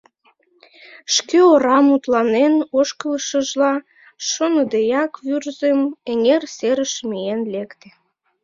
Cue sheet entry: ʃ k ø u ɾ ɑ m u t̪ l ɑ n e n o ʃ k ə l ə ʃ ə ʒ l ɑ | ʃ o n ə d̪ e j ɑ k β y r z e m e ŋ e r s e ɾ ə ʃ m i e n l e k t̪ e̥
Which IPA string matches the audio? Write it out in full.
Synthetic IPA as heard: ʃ k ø o ɾ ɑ m u t̪ l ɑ n e n o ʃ k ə l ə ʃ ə ʒ l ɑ | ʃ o n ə d̪ e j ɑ k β y r z e m e ŋ e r s e ɾ ə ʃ m i e n l e k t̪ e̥